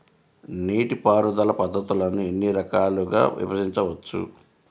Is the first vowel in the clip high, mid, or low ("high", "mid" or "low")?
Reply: high